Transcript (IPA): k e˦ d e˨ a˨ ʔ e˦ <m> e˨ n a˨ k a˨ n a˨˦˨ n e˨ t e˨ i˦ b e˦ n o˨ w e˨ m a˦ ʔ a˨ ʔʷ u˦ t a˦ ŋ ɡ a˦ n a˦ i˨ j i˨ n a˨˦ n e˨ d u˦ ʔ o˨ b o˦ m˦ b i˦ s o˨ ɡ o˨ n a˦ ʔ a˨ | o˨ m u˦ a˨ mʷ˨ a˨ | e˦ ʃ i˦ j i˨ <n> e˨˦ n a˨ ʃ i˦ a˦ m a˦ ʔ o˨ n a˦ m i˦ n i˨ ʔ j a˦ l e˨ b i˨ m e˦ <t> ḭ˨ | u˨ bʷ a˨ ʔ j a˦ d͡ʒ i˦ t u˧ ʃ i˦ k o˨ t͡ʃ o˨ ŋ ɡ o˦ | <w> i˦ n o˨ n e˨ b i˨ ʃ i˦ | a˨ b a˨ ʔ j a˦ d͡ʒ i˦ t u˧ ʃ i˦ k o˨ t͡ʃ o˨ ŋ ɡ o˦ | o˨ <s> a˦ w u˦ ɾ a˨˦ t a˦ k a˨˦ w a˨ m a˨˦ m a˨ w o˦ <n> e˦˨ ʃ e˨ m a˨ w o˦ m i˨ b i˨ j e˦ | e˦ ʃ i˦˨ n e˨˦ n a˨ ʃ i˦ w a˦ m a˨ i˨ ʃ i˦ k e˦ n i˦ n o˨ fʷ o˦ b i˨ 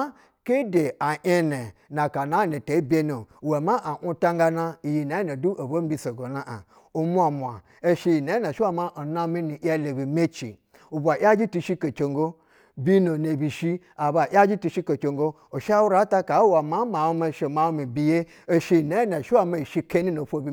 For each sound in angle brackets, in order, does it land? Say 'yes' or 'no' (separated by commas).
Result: no, yes, no, no, no, no